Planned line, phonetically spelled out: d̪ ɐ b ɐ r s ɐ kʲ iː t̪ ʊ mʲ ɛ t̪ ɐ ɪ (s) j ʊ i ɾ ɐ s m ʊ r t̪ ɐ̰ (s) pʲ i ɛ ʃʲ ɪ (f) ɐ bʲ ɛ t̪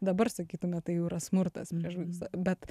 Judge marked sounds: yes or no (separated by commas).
no, yes, no